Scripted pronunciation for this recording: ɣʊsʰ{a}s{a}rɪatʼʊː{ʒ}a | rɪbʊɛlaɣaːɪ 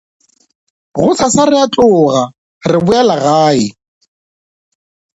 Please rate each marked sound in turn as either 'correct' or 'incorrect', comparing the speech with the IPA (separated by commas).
correct, correct, incorrect